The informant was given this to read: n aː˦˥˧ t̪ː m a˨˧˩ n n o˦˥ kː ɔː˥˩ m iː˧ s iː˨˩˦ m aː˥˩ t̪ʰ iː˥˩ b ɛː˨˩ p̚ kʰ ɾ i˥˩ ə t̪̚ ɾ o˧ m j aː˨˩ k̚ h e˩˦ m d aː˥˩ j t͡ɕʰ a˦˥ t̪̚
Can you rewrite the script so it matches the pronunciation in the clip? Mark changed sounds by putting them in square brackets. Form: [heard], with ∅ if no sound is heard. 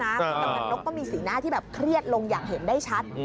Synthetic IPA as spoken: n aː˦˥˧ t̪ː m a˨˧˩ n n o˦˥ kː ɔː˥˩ m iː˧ s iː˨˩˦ [n] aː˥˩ t̪ʰ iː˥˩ b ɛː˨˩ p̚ kʰ ɾ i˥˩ ə t̪̚ [l] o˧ [ŋ] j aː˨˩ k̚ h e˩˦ [n] d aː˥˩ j t͡ɕʰ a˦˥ t̪̚